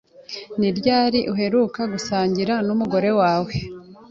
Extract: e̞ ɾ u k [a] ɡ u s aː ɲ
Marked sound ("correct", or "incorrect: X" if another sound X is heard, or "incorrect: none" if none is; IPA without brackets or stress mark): correct